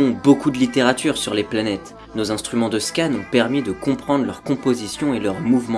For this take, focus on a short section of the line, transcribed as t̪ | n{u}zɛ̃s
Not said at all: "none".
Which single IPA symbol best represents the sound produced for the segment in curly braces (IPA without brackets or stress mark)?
o